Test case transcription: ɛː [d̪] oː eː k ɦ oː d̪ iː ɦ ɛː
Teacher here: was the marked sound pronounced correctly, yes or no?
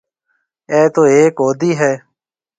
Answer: no